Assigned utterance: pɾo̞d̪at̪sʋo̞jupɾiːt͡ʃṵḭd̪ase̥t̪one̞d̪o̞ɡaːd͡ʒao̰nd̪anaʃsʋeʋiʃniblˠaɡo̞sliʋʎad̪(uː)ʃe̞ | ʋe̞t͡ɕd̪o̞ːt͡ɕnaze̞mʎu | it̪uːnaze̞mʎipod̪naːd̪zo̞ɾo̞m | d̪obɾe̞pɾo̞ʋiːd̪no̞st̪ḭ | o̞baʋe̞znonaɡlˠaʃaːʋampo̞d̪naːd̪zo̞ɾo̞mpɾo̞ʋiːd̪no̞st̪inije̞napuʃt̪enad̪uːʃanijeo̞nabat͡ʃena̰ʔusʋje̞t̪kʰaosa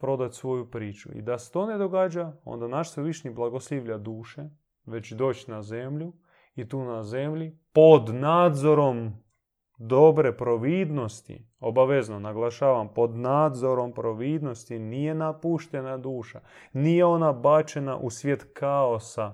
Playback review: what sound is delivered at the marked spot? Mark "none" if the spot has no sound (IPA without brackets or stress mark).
uː